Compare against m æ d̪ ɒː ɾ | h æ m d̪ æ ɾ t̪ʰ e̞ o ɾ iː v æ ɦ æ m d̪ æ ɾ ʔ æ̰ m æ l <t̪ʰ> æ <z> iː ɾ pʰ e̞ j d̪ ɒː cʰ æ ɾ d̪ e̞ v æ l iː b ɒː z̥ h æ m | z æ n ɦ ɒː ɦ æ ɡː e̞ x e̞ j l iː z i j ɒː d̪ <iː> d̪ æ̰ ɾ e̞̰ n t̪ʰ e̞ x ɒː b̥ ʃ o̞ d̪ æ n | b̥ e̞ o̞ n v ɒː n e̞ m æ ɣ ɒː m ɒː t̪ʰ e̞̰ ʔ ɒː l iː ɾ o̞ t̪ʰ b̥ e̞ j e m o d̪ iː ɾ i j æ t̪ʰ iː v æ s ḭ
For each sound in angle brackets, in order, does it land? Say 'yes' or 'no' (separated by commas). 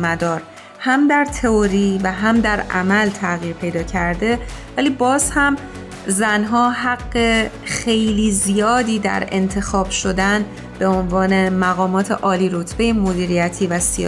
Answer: yes, no, yes